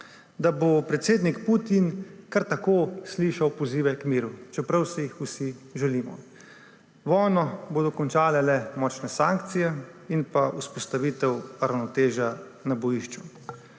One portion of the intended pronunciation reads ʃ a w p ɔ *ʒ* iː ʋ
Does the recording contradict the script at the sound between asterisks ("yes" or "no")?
yes